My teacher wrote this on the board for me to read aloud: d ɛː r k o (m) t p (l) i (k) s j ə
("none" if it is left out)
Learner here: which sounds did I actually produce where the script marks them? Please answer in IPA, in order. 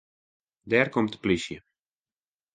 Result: m, l, none

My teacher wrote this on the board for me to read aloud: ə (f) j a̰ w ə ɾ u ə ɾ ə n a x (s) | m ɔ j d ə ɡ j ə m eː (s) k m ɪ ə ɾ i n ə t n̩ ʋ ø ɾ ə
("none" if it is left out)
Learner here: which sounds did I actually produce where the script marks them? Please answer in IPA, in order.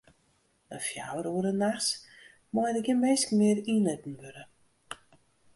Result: f, s, s

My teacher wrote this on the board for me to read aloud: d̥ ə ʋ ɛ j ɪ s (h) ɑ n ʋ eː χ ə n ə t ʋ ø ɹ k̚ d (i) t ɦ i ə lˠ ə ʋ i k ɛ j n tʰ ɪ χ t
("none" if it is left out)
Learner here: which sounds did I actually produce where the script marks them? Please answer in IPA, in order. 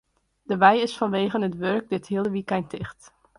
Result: f, ɪ

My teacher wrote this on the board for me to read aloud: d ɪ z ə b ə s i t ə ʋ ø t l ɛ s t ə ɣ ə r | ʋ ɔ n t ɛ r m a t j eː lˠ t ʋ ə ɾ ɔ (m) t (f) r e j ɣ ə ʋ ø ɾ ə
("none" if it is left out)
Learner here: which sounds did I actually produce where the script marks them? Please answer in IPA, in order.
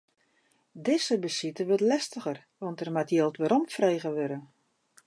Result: m, f

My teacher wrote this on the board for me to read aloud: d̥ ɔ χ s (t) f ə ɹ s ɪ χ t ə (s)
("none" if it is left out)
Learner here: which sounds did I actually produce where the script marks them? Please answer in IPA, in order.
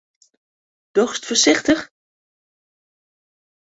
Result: t, χ

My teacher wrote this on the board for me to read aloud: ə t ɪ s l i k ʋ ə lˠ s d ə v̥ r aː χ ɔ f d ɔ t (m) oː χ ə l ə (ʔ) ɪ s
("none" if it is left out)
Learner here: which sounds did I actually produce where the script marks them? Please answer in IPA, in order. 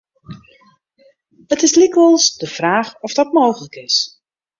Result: m, k

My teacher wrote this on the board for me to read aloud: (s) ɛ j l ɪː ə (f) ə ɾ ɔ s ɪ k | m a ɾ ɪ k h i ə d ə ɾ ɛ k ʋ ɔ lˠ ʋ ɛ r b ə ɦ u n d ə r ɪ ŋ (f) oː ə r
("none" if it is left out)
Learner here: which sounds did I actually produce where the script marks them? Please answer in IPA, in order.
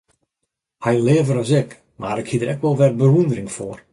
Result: h, v, f

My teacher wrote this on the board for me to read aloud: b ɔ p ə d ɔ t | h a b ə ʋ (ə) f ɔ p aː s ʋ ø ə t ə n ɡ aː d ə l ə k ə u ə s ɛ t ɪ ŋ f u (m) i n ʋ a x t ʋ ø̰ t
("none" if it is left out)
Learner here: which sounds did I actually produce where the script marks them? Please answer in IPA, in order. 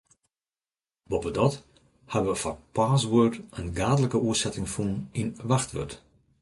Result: ə, n

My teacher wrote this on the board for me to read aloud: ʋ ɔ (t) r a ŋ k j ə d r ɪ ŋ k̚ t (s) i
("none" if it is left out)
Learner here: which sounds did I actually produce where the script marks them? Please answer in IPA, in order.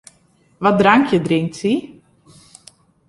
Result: d, s

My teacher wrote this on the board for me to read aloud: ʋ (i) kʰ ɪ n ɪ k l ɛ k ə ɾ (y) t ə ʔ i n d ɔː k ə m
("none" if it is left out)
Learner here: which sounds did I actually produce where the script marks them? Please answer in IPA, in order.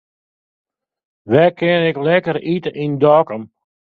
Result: ɛ, i

